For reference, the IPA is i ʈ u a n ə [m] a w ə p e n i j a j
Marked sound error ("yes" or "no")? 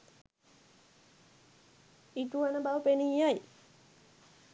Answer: yes